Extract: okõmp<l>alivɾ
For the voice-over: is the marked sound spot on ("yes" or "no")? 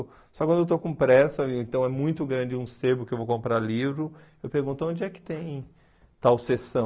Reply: no